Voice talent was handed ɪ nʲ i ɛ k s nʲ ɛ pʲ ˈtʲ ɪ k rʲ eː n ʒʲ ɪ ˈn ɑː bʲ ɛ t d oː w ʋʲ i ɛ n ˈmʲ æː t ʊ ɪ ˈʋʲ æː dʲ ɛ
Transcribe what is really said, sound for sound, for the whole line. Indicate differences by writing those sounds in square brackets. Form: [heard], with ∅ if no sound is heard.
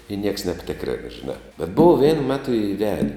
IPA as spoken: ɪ nʲ i ɛ k s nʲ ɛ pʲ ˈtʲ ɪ k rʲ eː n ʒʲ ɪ ˈn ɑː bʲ ɛ t [b] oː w ʋʲ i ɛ n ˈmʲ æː t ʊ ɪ ˈʋʲ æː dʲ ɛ